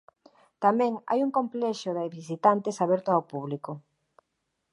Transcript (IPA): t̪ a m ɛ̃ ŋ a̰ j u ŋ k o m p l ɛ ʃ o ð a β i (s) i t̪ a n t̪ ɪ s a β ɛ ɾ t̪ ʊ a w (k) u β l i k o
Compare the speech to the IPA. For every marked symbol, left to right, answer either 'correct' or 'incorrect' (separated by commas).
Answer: correct, incorrect